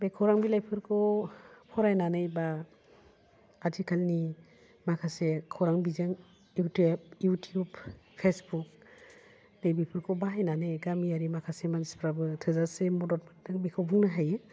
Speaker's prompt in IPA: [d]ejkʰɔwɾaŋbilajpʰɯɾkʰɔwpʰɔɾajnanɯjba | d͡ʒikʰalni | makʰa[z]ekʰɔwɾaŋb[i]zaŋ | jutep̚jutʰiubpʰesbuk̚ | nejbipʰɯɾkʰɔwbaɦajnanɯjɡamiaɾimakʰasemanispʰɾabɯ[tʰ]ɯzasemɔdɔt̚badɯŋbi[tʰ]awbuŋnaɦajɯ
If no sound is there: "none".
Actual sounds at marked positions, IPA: b, s, i, tʰ, kʰ

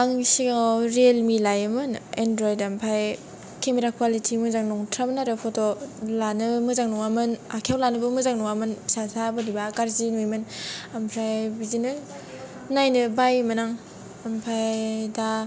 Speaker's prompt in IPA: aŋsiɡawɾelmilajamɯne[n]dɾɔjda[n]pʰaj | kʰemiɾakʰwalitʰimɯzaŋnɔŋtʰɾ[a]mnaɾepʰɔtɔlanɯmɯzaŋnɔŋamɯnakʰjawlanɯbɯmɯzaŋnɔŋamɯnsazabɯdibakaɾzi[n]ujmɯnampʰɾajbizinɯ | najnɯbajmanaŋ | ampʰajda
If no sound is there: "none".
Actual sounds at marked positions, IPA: n, m, a, n

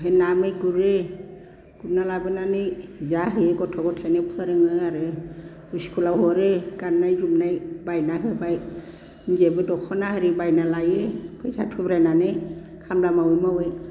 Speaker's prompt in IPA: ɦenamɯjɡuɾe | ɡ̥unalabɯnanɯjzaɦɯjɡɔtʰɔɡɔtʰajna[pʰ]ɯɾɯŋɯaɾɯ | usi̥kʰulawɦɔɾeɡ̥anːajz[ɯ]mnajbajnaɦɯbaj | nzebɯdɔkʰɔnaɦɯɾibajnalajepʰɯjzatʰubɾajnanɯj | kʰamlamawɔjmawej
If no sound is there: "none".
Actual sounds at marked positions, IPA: pʰ, u

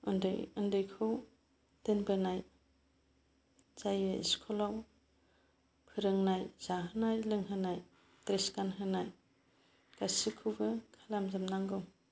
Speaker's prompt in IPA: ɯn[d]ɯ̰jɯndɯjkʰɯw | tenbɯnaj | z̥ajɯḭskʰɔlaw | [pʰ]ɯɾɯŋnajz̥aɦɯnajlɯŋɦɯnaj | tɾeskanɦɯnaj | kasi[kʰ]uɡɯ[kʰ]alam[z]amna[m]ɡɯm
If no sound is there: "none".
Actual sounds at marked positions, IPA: d, pʰ, kʰ, kʰ, z, ŋ

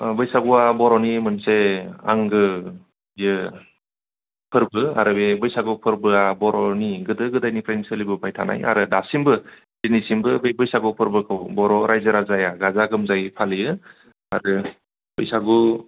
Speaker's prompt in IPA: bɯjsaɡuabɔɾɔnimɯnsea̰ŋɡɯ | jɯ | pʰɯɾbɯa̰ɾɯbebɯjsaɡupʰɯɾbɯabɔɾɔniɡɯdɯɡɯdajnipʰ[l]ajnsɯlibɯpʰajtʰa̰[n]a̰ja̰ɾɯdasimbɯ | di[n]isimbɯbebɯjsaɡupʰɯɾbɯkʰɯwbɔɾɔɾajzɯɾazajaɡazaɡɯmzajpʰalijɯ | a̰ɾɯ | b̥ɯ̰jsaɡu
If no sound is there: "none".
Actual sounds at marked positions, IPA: ɾ, n, n

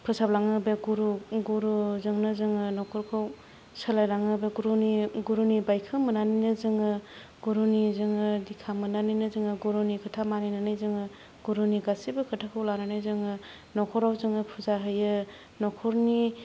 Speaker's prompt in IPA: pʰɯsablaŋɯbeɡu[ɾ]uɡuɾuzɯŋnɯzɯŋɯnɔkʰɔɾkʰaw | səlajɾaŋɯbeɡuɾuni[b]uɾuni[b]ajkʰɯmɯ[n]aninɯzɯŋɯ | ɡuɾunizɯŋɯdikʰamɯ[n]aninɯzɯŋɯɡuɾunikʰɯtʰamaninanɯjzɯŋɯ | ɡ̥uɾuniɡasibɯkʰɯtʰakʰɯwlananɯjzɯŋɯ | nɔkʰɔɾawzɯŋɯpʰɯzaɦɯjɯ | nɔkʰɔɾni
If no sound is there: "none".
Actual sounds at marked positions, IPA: ɾ, ɡ, b, n, n

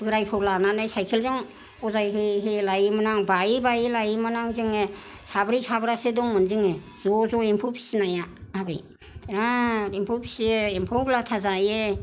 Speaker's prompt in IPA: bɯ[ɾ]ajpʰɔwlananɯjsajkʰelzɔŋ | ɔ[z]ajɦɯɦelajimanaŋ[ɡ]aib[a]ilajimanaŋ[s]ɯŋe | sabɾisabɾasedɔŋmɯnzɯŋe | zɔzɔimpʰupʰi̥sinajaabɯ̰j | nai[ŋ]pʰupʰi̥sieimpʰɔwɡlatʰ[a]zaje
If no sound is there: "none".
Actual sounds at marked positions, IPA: ɾ, z, b, a, z, m, a

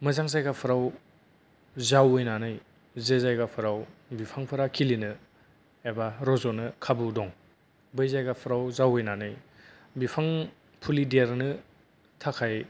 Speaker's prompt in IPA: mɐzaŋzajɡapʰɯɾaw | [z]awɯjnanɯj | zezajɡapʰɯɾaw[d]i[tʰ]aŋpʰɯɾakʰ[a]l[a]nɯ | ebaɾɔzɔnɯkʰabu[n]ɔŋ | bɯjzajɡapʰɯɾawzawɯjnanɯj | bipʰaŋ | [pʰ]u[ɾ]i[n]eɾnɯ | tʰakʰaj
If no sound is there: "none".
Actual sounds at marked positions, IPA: z, b, pʰ, i, i, d, pʰ, l, d

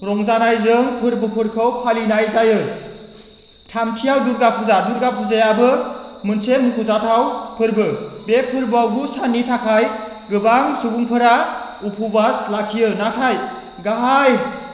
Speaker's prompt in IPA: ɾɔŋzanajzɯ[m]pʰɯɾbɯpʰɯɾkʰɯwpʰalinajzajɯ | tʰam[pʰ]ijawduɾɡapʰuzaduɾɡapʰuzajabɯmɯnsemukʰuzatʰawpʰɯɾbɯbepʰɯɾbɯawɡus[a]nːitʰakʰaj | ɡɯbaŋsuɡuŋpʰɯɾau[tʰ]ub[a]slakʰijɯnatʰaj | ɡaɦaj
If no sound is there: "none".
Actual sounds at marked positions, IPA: ŋ, tʰ, a, pʰ, a

